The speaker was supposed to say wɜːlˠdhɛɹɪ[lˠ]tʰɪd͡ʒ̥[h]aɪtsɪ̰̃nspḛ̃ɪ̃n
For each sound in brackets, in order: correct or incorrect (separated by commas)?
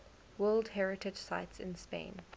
incorrect, incorrect